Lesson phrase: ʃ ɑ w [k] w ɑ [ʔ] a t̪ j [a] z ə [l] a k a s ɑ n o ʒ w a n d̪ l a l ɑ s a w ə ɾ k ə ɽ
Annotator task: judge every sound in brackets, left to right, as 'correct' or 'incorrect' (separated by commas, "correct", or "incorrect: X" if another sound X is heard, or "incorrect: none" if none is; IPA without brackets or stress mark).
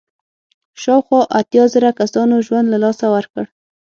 incorrect: x, correct, incorrect: ɑ, incorrect: ɾ